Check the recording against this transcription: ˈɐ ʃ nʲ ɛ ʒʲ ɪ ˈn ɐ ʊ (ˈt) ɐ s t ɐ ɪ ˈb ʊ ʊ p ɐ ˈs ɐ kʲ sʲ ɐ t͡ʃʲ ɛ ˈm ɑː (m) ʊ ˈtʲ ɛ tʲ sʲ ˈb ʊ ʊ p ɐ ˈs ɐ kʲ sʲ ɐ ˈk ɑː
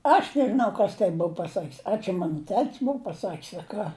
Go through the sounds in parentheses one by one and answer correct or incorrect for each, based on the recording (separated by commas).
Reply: incorrect, incorrect